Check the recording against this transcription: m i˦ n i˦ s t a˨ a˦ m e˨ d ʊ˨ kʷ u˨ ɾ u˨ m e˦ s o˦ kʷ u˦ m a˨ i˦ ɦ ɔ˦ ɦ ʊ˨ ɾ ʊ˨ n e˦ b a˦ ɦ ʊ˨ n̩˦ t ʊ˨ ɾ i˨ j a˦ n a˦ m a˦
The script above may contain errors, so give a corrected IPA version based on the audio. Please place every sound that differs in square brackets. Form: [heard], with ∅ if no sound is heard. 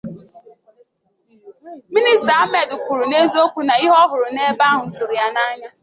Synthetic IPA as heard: m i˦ n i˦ s t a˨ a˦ m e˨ d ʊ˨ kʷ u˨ ɾ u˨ [n] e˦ [z] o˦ kʷ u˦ [n] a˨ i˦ ɦ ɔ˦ ɦ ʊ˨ ɾ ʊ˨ n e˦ b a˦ ɦ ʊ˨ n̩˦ t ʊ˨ ɾ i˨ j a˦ n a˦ [ɲ] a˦